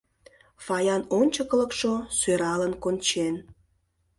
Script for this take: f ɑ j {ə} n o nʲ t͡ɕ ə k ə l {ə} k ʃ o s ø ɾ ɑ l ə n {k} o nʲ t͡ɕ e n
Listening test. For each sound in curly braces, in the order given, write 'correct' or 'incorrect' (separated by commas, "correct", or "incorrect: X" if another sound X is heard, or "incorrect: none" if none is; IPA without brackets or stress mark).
incorrect: ɑ, correct, correct